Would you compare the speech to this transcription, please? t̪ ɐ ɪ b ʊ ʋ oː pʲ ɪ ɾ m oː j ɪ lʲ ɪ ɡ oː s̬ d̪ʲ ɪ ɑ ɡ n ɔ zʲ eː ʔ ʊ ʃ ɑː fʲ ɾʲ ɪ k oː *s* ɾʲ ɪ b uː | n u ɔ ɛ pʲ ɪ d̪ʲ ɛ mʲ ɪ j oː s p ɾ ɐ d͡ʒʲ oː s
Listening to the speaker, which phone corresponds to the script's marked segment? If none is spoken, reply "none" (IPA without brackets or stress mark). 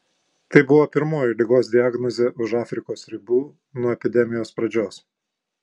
s